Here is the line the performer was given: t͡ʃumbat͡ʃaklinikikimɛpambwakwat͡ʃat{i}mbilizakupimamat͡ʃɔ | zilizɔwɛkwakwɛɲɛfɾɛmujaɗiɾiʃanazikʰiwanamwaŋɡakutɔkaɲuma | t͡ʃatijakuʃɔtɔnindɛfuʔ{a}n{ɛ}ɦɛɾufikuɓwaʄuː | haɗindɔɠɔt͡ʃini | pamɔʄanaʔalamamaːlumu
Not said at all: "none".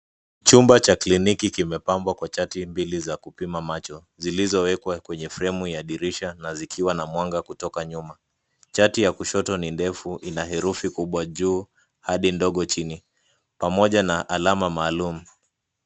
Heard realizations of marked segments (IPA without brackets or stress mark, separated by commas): i, i, a